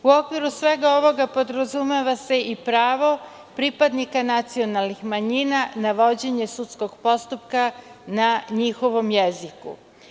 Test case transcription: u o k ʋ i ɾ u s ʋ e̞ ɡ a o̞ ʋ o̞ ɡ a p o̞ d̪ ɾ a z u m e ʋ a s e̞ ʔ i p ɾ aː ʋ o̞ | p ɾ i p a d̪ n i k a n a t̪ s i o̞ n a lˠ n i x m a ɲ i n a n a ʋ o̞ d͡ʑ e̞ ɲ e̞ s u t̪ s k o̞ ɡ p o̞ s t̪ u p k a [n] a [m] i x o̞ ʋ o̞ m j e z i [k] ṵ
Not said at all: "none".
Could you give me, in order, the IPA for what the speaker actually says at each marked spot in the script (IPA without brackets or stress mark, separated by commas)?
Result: n, ɲ, k